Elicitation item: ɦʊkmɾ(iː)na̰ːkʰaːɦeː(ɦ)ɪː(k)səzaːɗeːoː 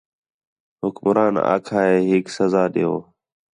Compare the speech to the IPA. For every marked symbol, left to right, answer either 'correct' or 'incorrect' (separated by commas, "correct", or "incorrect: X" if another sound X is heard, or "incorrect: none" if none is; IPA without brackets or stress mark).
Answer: incorrect: aː, correct, correct